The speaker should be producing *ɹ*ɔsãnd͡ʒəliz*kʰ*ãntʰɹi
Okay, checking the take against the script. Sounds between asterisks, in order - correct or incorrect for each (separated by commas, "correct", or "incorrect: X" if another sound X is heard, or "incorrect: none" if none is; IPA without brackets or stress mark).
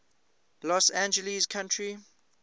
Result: incorrect: l, correct